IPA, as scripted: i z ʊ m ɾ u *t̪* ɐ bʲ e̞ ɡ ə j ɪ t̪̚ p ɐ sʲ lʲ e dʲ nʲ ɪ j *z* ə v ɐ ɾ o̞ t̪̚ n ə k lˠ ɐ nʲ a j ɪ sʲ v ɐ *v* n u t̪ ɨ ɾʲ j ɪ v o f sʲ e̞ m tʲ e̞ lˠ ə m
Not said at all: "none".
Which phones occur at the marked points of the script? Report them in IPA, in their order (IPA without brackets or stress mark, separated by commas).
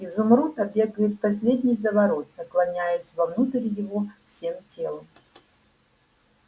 t̪, z, v